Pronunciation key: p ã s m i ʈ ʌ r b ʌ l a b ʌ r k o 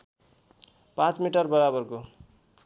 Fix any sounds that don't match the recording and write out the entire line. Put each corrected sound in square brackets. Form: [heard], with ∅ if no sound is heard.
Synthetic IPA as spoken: p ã [t͡s] m i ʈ ʌ r b ʌ [ɾ] a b ʌ r k o